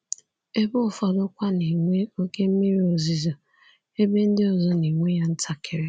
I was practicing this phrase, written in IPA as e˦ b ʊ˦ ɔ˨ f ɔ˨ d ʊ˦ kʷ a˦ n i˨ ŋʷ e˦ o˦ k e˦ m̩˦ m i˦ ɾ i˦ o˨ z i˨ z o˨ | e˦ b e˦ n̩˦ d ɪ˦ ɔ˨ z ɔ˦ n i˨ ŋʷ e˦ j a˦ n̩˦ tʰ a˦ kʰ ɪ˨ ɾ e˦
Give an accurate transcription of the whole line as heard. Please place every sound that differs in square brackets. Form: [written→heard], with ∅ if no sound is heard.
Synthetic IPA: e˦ b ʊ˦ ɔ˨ f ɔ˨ d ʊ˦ kʷ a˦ n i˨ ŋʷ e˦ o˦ k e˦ m̩˦ m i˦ ɾ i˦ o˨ z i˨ z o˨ | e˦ b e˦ n̩˦ d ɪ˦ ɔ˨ z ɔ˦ n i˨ ŋʷ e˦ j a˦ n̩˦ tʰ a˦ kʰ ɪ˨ ɾ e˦